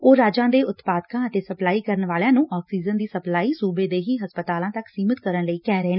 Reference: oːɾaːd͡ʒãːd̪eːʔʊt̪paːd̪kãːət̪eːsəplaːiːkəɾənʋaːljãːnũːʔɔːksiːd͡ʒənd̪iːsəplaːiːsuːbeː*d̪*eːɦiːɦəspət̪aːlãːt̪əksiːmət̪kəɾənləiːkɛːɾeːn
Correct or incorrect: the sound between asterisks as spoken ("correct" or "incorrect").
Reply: correct